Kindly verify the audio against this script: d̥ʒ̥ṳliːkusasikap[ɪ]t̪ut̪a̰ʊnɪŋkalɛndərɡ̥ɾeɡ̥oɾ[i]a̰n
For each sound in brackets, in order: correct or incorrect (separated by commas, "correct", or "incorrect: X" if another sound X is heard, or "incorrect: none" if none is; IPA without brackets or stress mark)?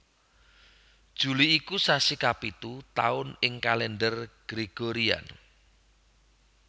incorrect: i, correct